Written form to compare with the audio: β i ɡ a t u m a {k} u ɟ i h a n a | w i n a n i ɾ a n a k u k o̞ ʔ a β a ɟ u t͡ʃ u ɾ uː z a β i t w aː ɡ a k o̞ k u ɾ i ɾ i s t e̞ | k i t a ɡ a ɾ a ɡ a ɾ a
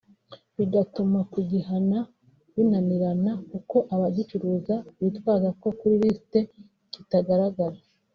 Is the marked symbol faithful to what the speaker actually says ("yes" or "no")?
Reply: yes